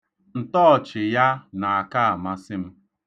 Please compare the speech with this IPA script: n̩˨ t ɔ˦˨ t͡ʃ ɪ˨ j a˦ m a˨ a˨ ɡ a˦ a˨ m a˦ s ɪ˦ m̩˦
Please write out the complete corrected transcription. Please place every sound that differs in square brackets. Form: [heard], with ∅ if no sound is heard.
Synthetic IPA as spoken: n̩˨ t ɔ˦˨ t͡ʃ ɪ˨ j a˦ [n] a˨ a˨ [k] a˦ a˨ m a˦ s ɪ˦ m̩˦